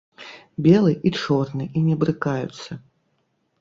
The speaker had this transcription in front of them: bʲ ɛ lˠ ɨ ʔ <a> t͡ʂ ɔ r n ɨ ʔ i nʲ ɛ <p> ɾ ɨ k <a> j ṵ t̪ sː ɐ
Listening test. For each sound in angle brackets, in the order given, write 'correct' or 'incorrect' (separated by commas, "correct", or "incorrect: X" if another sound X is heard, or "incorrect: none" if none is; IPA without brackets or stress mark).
incorrect: i, incorrect: b, correct